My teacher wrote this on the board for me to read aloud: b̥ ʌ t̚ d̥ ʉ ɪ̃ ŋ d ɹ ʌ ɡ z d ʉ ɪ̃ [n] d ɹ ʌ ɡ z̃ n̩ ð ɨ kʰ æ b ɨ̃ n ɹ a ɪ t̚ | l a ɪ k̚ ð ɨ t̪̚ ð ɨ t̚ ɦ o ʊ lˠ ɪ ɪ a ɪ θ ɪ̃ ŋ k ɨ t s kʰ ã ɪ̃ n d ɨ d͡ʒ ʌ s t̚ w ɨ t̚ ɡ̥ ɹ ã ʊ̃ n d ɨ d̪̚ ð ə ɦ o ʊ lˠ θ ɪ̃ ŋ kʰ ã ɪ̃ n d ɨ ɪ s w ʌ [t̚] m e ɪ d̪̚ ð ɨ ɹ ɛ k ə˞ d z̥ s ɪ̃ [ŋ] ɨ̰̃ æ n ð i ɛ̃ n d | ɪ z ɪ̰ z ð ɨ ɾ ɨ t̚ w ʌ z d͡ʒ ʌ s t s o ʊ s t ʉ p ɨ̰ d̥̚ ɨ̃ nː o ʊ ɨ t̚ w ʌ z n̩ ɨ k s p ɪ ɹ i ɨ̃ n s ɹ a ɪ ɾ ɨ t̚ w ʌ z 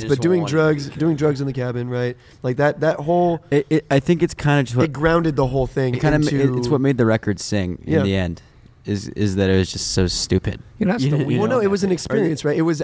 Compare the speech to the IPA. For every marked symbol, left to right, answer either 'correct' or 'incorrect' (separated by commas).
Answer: incorrect, correct, correct